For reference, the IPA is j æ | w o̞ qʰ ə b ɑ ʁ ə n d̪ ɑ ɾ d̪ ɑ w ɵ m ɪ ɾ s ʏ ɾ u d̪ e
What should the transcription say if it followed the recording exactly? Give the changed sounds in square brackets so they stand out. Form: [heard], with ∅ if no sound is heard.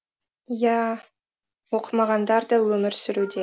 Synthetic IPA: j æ | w o̞ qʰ ə [m] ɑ ʁ [ɑ] n d̪ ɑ ɾ d̪ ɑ w ɵ m ɪ ɾ s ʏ ɾ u d̪ e